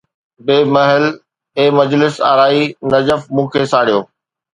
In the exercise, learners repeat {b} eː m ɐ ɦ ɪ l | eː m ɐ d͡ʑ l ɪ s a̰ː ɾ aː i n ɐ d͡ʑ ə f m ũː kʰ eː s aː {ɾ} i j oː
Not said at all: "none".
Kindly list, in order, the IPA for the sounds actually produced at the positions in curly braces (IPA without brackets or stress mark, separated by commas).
b, ɽ